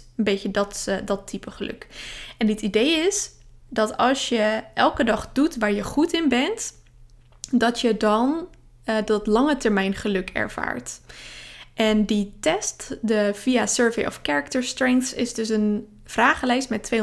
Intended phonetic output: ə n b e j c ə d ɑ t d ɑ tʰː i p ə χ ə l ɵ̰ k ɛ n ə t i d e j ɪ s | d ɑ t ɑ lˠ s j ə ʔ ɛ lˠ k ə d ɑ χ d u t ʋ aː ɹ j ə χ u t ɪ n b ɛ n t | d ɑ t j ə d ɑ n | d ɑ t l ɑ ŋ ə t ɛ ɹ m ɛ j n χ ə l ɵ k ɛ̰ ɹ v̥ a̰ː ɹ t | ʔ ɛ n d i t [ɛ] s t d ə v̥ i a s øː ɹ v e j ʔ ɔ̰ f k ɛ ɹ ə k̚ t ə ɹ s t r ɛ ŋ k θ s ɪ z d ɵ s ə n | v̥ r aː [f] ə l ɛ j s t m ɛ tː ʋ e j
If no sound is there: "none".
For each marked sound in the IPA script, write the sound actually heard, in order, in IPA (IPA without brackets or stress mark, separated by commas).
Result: ɛ, χ